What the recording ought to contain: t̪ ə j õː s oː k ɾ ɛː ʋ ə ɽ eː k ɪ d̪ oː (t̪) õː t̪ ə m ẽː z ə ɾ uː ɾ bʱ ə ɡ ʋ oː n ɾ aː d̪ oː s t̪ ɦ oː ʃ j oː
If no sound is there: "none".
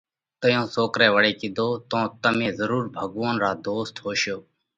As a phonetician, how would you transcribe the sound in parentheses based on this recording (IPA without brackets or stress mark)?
t̪